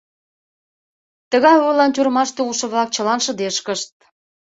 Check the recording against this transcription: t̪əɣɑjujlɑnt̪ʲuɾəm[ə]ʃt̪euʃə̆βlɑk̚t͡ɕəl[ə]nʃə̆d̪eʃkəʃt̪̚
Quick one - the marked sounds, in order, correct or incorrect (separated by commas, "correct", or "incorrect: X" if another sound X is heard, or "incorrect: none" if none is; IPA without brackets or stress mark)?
incorrect: ɑ, incorrect: ɑ